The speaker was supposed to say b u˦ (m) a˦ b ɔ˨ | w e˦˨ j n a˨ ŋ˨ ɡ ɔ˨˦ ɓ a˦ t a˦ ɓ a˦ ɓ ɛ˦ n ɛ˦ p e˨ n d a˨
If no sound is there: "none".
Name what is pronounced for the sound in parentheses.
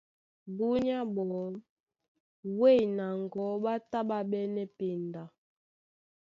ɲ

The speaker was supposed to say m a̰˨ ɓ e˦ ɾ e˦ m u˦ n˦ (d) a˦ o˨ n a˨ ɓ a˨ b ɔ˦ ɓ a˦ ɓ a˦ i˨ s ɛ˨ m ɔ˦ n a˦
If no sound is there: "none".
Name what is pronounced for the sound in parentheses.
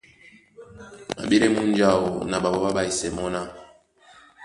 d͡ʒ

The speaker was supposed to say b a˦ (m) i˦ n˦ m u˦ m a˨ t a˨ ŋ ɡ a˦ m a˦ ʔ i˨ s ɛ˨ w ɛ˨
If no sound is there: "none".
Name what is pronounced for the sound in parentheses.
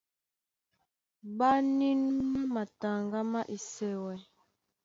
n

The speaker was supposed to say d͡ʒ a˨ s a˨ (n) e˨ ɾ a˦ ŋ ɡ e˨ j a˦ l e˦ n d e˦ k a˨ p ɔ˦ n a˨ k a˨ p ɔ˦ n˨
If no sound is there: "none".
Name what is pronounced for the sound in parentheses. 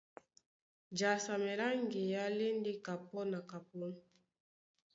m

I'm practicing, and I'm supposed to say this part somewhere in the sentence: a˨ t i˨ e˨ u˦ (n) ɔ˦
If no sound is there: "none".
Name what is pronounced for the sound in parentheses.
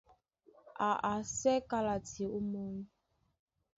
m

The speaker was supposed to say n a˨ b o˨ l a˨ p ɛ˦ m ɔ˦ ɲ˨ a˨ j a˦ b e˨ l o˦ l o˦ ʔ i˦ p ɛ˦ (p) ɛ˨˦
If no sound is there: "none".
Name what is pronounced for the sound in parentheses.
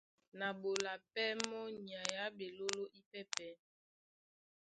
p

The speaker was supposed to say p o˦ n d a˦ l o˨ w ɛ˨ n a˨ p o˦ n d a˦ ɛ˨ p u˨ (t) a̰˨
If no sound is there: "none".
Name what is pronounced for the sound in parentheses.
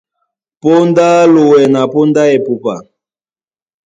p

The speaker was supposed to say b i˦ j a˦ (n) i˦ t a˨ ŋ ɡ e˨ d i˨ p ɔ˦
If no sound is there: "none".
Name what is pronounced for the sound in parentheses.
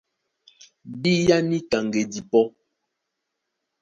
n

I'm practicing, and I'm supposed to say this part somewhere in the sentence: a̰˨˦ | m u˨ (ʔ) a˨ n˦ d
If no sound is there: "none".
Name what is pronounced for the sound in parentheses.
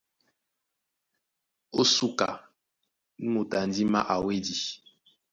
t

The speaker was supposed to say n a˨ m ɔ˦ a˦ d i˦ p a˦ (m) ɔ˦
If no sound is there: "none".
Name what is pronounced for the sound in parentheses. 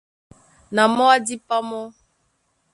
m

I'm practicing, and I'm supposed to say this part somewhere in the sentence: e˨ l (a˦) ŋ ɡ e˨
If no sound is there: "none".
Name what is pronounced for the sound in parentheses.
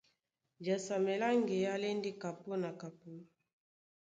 a˦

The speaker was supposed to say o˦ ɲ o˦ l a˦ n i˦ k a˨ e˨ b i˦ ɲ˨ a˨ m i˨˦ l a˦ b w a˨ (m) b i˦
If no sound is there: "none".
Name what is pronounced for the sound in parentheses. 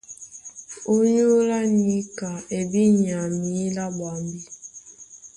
m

